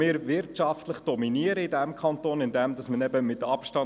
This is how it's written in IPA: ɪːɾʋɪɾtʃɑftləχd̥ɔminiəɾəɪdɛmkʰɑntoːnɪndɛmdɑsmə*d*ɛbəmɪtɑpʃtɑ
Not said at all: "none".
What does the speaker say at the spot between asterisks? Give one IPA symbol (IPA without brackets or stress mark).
n